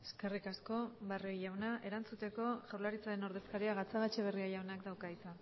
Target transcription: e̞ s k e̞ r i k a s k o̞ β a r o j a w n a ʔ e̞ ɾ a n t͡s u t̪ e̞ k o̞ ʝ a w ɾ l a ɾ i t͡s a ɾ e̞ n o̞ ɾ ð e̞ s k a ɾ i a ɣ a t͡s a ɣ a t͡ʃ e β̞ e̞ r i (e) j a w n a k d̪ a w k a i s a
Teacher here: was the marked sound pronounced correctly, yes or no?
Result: no